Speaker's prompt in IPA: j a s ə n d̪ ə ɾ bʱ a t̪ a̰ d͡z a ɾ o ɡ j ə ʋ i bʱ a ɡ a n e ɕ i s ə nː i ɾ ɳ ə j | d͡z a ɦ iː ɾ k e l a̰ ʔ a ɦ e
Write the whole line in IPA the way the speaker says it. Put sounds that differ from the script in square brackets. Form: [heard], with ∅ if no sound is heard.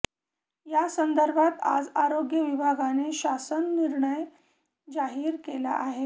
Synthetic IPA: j a s ə n d̪ ə ɾ bʱ a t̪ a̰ d͡z a ɾ o ɡ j ə ʋ i bʱ a ɡ a n e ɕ [a] s ə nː i ɾ ɳ ə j | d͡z a ɦ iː ɾ k e l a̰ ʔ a ɦ e